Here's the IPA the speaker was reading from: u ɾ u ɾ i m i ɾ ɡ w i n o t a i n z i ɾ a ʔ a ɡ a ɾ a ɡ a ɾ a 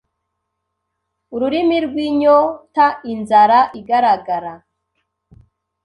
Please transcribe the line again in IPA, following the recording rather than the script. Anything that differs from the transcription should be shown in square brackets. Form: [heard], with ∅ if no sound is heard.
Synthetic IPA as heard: u ɾ u ɾ i m i ɾ ɡ w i [ɲ] o t a i n z [a] ɾ a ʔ [i] ɡ a ɾ a ɡ a ɾ a